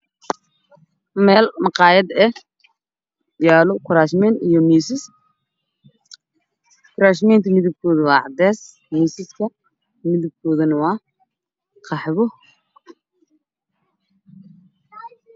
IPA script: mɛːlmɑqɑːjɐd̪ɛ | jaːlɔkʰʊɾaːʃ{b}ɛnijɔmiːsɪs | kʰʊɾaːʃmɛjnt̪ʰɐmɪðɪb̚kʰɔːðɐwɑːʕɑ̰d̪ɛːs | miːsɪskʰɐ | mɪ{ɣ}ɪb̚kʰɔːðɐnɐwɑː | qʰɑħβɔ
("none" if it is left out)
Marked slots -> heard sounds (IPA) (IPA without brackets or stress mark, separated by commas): m, ð